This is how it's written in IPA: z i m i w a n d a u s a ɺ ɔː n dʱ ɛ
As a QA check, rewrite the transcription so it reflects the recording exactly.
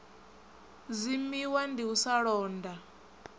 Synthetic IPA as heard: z i m i w a n d i u s a ɺ ɔː n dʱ a